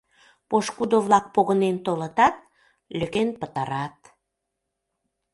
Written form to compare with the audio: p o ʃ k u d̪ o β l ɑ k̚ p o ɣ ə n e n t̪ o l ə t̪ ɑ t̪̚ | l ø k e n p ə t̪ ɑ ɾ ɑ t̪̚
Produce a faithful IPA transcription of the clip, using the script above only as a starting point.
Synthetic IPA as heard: p o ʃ k u d̪ o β l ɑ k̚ p o ɣ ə n e n t̪ o l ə t̪ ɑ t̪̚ | l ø k e n p ə t̪ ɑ ɾ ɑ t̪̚